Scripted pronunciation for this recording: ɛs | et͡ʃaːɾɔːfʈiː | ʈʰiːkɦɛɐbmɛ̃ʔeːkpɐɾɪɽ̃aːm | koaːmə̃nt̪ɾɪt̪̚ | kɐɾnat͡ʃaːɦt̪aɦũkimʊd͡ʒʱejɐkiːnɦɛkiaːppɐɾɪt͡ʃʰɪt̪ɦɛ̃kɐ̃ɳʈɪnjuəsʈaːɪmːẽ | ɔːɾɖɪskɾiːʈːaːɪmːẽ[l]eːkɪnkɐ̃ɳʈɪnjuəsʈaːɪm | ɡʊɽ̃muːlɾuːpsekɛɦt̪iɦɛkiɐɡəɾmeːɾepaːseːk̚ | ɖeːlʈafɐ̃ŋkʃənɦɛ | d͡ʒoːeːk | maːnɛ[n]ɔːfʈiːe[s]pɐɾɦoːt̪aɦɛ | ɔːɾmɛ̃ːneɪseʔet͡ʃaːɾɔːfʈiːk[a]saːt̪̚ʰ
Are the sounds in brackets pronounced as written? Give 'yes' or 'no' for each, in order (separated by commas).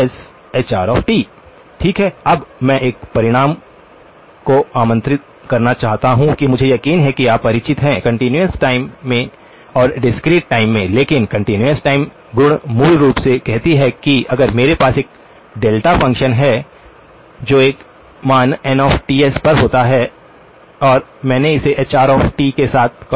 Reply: yes, yes, yes, no